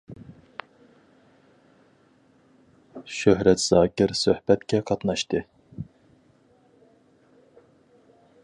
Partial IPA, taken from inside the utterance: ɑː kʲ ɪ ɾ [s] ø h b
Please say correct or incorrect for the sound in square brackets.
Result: correct